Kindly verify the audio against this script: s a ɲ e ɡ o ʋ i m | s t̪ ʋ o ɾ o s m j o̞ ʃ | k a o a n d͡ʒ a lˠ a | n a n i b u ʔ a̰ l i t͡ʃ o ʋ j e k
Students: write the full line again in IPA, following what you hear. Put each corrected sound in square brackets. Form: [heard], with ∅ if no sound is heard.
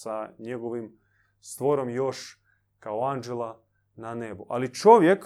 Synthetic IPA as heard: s a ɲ e ɡ o ʋ i m | s t̪ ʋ o ɾ o [∅] m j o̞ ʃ | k a o a n d͡ʒ [e] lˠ a | n a n [e] b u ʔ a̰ l i t͡ʃ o ʋ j e k